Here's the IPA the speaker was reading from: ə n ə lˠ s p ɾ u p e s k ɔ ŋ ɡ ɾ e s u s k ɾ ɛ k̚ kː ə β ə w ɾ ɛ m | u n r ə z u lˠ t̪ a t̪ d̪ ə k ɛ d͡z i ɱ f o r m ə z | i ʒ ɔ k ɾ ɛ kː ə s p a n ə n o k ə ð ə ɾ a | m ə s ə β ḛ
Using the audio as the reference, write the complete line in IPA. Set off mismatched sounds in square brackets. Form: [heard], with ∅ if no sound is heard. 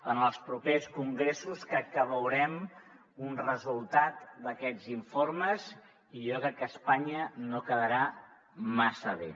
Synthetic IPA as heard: ə n ə lˠ s p ɾ u p e s k [u] ŋ ɡ ɾ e s u s k ɾ ɛ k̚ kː ə β ə w ɾ ɛ m | u n r ə z u lˠ t̪ a t̪ d̪ ə k ɛ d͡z i ɱ f o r m ə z | i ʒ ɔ k ɾ ɛ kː ə s p a [ɲ] ə n o k ə ð ə ɾ a | m [a] s ə β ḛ